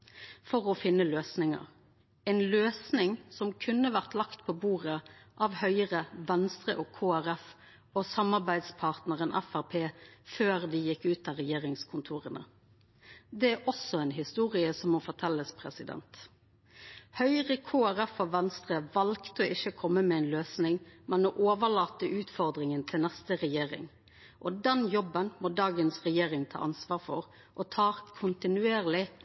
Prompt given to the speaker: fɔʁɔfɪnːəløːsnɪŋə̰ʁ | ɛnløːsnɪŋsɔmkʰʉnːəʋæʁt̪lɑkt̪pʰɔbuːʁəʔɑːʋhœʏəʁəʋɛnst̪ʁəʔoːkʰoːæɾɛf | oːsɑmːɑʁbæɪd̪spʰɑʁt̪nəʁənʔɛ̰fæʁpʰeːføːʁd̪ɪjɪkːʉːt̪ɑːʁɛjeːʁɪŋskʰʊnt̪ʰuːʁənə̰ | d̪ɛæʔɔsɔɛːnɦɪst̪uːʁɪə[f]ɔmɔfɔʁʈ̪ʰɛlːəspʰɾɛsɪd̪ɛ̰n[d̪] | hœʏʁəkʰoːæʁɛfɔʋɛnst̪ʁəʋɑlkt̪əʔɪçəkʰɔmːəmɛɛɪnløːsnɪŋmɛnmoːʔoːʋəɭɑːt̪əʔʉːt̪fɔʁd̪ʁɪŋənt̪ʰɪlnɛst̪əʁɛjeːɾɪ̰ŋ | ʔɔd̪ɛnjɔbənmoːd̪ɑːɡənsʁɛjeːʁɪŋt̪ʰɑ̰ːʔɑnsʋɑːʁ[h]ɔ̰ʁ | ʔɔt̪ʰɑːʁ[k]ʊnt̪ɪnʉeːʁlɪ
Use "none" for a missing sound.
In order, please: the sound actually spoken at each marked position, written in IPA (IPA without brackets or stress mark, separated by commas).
s, t̪, f, kʰ